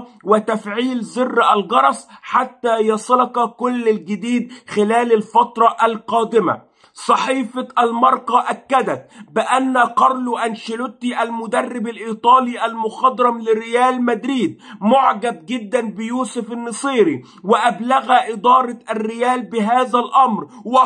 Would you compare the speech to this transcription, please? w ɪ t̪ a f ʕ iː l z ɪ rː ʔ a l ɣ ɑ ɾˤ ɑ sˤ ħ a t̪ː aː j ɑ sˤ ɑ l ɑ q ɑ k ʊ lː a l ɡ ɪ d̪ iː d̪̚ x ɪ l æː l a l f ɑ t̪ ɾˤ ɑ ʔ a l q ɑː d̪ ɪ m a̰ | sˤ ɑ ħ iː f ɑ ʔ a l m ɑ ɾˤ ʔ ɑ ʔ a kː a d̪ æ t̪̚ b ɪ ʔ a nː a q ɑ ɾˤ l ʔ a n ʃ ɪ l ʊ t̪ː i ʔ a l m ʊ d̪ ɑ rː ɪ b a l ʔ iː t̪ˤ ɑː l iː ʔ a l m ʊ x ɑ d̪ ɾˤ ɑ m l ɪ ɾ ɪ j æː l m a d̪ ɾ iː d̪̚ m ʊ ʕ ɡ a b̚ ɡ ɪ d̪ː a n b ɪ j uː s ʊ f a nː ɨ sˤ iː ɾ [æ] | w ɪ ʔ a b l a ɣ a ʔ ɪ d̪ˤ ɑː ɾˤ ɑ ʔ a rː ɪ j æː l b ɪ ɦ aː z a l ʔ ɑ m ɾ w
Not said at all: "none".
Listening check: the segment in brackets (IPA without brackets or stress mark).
i